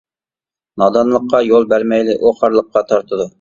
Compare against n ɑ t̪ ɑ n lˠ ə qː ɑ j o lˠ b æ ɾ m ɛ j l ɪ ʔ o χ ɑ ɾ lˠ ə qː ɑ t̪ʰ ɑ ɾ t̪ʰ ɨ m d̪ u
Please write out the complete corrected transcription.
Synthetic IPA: n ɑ d̪ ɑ n lˠ ə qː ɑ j o lˠ b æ ɾ m ɛ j l ɪ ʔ o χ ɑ ɾ lˠ ə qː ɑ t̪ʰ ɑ ɾ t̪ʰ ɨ d̪ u